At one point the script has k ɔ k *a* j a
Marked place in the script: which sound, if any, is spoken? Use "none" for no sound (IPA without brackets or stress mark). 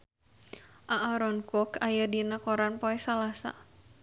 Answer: a